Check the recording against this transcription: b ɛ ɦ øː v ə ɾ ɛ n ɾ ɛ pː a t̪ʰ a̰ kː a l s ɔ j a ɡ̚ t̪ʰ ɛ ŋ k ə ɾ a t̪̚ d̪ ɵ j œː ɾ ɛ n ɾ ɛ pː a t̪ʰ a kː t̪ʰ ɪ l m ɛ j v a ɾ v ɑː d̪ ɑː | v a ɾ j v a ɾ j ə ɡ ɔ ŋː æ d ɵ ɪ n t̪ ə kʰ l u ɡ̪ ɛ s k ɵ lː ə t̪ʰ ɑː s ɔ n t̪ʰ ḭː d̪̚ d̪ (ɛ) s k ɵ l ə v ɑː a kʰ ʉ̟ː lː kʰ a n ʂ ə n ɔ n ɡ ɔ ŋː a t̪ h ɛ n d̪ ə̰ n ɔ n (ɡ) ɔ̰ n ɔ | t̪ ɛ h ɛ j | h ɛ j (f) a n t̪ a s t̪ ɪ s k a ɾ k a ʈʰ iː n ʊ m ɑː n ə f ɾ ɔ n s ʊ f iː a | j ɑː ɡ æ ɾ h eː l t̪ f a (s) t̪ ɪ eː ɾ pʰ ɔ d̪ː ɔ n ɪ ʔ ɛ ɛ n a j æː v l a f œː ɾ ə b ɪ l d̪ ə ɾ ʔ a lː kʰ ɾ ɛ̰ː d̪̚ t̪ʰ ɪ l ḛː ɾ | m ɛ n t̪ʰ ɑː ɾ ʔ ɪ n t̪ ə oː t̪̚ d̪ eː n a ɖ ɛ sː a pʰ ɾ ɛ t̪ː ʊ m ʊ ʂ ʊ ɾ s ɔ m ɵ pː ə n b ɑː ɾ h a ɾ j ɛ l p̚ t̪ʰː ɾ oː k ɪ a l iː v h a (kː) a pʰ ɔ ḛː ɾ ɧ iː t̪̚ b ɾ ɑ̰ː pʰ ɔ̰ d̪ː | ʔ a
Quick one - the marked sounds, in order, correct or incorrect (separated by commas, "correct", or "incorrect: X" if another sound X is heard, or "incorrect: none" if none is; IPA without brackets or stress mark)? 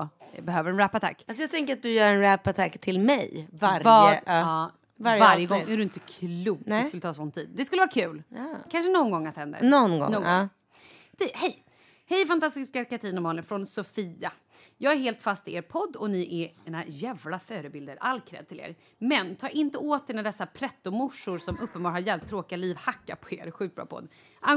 correct, correct, correct, correct, correct